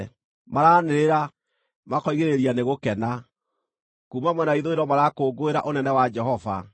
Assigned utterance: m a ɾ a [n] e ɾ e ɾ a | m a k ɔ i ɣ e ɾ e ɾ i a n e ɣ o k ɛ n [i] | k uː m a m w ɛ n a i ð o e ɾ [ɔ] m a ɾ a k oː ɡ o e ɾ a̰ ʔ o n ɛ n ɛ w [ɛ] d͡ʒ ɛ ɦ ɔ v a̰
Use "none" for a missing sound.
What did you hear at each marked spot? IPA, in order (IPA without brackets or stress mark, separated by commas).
n, a, ɔ, a